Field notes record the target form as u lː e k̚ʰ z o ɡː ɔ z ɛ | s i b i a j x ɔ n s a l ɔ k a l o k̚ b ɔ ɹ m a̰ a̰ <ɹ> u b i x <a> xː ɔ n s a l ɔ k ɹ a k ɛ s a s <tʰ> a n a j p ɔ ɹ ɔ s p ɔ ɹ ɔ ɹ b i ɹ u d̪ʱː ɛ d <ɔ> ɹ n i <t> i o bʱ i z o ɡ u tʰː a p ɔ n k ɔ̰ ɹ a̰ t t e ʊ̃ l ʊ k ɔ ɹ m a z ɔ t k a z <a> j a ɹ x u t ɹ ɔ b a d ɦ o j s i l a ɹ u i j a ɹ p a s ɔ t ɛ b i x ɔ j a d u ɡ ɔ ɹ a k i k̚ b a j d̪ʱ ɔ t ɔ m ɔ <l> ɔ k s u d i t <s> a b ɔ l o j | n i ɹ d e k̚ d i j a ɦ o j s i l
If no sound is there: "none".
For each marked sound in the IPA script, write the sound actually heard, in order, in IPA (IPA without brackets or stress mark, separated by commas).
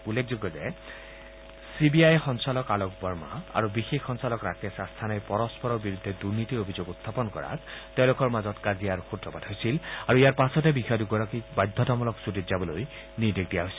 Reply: ɹ, e, tʰ, u, t, i, l, z